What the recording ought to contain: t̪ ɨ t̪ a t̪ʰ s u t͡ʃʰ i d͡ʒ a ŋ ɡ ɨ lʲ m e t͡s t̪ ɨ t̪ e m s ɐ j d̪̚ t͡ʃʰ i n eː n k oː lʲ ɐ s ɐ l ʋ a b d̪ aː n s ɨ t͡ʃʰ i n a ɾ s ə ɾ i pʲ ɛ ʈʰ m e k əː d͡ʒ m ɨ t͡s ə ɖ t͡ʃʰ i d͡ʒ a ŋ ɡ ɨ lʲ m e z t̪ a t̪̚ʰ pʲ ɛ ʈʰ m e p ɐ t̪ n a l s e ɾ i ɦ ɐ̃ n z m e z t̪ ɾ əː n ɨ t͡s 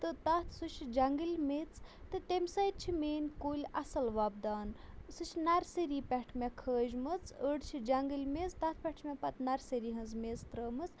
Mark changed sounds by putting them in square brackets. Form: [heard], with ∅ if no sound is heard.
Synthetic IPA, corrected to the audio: t̪ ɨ t̪ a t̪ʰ s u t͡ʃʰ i d͡ʒ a ŋ ɡ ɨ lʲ m e t͡s t̪ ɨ t̪ e m s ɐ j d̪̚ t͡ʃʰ i [m] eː n k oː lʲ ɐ s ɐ l ʋ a b d̪ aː n s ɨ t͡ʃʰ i n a ɾ s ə ɾ i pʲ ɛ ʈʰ m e [kʰ] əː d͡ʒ m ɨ t͡s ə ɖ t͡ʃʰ i d͡ʒ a ŋ ɡ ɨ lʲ m e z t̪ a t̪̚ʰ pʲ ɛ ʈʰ m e p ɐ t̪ n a [ɾ] s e ɾ i ɦ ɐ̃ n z m e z t̪ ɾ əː [m] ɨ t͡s